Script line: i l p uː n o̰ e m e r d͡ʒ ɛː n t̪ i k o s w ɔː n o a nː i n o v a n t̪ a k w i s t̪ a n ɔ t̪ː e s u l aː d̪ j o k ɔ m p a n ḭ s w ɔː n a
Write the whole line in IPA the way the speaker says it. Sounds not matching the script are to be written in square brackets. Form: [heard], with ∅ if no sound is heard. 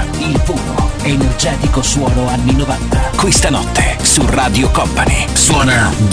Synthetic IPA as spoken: i l p uː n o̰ e [n] e r d͡ʒ ɛː [∅] t̪ i k o s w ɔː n o a nː i n o v a n t̪ a k w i s t̪ a n ɔ t̪ː e s u [r] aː d̪ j o k ɔ m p a n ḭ s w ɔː n a